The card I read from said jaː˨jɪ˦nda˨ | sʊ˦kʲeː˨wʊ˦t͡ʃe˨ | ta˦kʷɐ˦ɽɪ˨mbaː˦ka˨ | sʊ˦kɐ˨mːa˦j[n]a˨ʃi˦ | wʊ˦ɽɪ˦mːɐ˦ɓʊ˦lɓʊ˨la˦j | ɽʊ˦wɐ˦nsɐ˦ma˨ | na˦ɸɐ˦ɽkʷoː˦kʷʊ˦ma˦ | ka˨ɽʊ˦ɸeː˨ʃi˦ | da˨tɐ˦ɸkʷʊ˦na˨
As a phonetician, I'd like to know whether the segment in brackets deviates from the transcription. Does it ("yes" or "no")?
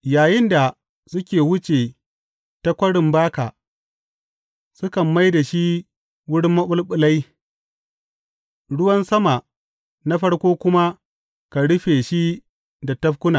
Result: yes